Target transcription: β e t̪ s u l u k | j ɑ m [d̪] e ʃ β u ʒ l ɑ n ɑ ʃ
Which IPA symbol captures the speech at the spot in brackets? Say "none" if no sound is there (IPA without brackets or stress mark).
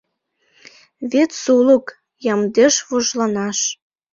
d̪